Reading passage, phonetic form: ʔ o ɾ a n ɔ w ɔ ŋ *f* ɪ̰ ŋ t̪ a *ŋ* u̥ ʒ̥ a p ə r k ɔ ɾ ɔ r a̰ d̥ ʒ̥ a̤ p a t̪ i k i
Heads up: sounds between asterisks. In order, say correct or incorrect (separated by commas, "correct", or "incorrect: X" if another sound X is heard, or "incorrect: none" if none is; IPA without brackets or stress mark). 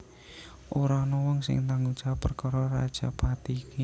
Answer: incorrect: s, correct